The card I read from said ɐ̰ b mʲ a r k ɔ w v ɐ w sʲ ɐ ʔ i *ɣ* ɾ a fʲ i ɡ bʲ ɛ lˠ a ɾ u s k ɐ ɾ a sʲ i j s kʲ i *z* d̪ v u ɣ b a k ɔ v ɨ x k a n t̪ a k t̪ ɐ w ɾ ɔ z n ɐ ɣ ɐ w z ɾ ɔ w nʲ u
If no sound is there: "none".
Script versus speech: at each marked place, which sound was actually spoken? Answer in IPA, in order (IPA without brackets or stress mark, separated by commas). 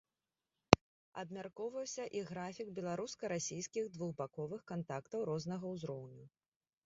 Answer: ɣ, ɣ